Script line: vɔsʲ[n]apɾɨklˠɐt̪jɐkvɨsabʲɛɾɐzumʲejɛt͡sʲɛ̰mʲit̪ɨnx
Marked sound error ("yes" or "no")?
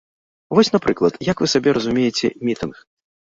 no